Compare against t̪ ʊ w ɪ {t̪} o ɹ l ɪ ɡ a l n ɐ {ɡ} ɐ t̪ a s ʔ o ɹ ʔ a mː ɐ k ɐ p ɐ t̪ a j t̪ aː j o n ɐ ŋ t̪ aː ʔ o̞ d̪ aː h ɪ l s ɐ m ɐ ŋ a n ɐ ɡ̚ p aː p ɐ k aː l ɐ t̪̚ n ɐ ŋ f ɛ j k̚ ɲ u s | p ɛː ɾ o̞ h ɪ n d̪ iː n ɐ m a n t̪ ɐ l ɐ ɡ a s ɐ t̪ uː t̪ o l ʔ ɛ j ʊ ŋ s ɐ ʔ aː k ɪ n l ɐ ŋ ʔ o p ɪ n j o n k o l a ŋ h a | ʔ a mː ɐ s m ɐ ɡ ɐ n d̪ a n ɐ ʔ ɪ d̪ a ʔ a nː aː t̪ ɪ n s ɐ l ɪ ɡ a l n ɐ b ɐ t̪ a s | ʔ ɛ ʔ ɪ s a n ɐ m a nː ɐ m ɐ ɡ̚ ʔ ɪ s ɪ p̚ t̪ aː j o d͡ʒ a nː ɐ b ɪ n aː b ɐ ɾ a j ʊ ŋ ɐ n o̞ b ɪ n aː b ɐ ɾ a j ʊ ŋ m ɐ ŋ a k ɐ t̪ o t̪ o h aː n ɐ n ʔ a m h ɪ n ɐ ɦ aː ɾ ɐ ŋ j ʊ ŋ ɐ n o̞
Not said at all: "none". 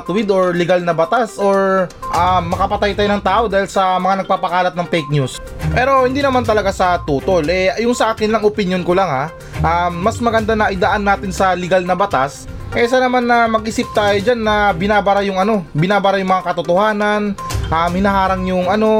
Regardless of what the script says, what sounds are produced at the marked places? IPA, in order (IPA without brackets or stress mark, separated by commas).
d̪, b